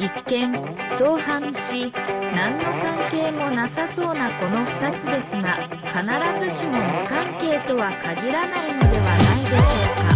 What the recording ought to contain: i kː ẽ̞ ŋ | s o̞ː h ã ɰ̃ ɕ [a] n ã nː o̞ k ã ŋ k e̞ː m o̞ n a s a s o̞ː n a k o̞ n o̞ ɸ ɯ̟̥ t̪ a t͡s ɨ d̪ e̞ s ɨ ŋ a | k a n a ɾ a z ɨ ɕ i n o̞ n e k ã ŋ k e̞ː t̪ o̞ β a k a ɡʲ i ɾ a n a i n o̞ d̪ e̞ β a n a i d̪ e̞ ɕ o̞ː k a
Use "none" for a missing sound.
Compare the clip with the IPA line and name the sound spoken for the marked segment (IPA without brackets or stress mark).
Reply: i